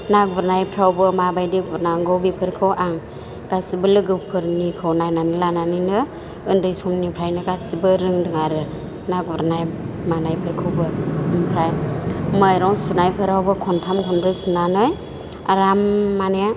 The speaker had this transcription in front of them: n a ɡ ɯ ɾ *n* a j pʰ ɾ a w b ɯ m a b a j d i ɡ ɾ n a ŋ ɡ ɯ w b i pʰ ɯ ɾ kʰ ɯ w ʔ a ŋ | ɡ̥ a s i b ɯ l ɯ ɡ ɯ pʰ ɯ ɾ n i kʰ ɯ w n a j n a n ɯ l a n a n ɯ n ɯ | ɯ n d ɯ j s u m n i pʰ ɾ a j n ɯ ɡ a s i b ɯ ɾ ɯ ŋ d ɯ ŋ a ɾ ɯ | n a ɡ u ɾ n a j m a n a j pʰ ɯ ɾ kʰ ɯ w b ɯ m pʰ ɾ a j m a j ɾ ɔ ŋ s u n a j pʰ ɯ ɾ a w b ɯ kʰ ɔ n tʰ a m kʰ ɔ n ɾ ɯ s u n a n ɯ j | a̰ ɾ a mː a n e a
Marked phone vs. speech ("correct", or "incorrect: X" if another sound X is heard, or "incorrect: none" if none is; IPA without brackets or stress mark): correct